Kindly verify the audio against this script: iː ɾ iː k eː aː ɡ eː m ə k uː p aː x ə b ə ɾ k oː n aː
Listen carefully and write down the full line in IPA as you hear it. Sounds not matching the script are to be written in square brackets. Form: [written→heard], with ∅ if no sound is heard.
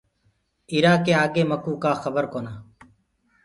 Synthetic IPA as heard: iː ɾ [iː→aː] k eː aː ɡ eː m ə k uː [p→k] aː x ə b ə ɾ k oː n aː